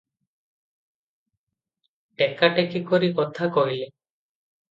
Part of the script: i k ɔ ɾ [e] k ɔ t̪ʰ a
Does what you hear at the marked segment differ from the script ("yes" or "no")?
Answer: yes